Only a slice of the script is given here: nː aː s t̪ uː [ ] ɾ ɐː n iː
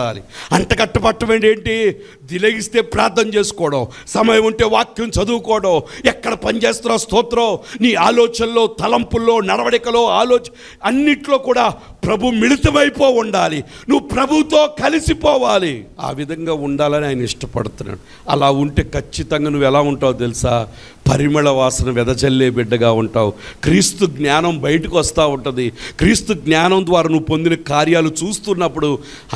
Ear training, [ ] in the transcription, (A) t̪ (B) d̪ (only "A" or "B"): A